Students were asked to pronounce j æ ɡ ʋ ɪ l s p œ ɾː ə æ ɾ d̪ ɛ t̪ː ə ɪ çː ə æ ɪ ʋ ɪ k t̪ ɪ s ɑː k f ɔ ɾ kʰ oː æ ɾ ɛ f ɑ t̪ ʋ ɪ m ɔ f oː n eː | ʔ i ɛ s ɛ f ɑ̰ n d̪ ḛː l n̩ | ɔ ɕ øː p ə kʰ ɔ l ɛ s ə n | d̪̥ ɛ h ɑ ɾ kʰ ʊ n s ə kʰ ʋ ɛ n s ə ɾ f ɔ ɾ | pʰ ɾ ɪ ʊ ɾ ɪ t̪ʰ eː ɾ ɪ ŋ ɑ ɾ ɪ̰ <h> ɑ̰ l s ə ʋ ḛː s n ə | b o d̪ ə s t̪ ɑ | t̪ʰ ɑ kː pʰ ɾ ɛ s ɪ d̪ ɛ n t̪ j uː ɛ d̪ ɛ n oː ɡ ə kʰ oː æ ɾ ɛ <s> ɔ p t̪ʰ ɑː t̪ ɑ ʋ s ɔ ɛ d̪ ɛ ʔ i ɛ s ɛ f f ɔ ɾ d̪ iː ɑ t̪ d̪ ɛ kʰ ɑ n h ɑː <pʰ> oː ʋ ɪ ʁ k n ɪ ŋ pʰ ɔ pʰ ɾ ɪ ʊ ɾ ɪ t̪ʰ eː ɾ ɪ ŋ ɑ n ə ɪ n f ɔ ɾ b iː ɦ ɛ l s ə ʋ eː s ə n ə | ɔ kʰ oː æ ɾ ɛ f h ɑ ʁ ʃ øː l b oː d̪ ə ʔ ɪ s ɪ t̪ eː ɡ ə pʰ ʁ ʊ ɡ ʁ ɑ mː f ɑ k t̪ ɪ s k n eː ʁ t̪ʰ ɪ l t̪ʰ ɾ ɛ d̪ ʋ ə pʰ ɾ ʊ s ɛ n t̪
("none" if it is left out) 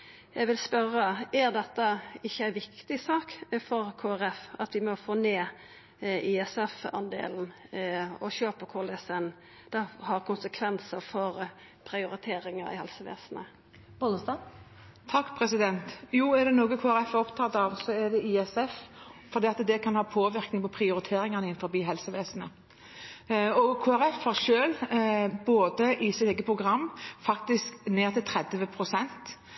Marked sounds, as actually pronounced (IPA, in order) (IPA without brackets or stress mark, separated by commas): h, f, pʰ